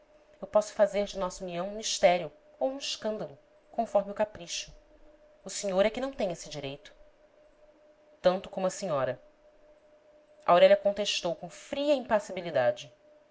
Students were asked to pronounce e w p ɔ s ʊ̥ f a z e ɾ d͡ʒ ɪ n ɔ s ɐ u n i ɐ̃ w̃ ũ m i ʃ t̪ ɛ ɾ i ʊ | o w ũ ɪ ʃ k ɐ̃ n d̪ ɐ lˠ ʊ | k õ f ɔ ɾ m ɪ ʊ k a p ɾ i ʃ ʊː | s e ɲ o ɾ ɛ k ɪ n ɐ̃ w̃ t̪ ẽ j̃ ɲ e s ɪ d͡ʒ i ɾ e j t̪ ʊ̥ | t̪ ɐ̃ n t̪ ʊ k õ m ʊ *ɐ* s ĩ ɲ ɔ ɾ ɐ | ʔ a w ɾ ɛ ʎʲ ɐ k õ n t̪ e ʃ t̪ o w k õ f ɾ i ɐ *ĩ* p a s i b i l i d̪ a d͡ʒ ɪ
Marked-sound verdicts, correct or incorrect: correct, correct

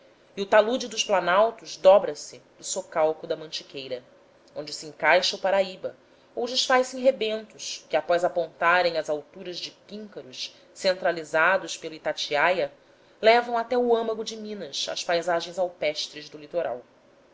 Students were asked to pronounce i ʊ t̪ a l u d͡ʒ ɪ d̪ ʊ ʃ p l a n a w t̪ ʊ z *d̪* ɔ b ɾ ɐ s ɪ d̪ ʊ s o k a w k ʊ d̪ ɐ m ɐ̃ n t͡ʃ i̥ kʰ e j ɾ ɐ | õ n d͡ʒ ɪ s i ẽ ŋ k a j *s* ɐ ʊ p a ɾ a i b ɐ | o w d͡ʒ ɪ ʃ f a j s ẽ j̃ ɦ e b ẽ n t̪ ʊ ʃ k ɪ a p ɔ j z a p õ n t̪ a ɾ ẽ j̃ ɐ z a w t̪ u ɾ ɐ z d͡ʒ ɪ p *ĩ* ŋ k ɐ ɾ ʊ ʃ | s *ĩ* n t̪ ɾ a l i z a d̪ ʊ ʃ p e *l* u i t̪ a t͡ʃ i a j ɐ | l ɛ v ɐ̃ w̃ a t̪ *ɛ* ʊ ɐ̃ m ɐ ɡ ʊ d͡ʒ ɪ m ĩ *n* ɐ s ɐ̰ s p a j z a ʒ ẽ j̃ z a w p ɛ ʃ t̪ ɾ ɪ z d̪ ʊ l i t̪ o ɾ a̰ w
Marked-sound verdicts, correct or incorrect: correct, incorrect: ʃ, correct, incorrect: ẽ, correct, correct, correct

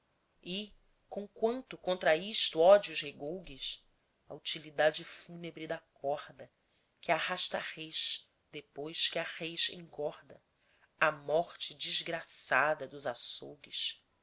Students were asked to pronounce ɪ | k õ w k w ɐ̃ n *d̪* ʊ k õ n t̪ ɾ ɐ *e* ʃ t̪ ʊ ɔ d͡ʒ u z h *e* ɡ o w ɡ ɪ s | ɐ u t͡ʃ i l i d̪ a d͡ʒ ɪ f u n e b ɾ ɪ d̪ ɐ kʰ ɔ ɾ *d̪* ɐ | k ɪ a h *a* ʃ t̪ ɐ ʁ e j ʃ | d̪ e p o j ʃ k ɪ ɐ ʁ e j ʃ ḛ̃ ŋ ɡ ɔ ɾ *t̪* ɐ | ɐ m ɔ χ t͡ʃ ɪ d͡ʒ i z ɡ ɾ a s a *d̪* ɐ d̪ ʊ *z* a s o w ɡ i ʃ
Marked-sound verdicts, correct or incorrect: incorrect: t̪, incorrect: i, correct, correct, correct, incorrect: d̪, correct, correct

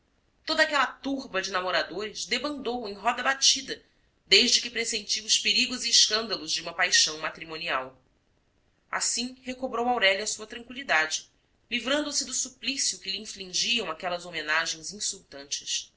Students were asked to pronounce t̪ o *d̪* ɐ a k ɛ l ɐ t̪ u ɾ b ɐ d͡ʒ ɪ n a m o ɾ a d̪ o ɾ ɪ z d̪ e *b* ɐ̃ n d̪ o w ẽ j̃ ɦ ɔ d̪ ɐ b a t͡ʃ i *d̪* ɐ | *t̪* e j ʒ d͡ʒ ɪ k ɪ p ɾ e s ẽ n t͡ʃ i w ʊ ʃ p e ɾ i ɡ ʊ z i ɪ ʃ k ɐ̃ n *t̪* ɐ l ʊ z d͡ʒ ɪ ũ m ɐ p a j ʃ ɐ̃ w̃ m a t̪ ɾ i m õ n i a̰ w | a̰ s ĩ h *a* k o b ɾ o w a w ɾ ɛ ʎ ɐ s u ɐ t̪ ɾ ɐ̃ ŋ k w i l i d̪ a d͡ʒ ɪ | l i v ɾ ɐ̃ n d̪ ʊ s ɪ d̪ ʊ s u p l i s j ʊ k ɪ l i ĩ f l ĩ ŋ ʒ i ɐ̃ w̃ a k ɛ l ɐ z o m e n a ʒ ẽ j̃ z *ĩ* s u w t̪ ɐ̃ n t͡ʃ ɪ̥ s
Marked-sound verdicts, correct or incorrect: correct, correct, correct, incorrect: d̪, incorrect: d̪, incorrect: e, correct

